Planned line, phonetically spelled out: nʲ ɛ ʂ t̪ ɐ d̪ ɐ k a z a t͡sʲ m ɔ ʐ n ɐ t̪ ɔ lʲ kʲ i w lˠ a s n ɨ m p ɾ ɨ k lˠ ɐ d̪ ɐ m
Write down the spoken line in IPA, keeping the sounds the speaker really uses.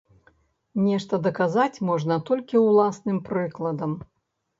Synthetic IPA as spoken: nʲ ɛ ʂ t̪ ɐ d̪ ɐ k a z a t͡sʲ m ɔ ʐ n ɐ t̪ ɔ lʲ kʲ i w lˠ a s n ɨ m p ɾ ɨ k lˠ ɐ d̪ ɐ m